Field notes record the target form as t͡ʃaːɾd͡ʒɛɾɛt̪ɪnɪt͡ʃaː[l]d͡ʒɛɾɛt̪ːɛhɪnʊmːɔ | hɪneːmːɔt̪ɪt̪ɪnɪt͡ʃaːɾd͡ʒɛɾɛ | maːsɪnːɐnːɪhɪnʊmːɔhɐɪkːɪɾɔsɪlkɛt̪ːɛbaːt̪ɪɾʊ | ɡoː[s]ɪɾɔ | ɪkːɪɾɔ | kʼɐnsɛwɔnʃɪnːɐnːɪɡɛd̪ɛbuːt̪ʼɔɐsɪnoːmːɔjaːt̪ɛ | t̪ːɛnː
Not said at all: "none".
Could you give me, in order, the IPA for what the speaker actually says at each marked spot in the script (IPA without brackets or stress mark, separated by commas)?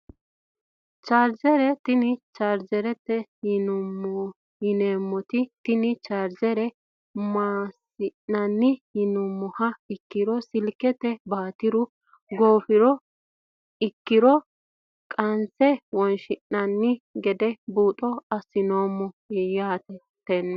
ɾ, f